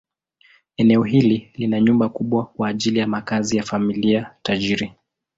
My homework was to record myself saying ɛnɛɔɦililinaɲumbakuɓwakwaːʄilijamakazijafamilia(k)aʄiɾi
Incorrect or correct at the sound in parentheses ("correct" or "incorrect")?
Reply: incorrect